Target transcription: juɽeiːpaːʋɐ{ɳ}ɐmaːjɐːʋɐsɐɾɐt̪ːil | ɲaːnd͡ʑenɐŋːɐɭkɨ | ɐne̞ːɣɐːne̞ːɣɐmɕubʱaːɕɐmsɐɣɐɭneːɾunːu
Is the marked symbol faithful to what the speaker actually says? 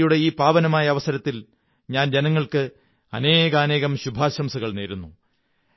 no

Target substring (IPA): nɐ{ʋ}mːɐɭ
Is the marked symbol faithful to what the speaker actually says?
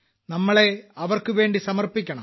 no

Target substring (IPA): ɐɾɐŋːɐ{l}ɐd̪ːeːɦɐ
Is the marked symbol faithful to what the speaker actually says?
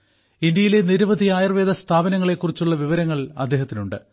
no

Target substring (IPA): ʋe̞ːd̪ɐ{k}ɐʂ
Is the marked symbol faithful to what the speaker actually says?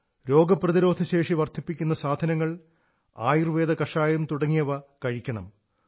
yes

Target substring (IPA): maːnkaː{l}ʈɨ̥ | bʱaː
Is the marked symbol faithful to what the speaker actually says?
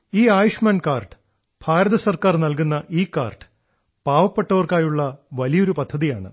no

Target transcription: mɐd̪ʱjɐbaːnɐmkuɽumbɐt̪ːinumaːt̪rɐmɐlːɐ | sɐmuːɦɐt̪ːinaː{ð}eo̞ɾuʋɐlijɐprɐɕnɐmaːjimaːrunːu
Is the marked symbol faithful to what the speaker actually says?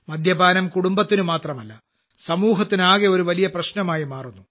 no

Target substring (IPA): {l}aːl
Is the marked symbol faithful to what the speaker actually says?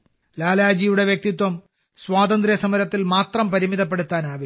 yes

